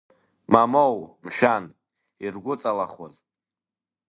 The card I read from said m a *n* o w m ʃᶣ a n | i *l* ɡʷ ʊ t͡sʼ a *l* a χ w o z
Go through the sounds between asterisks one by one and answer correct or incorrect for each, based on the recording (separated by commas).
incorrect, incorrect, correct